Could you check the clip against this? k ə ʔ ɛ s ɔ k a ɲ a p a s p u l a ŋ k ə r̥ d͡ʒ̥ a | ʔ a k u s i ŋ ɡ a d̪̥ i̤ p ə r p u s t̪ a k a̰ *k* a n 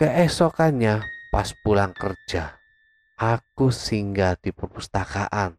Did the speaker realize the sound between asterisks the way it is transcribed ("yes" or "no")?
no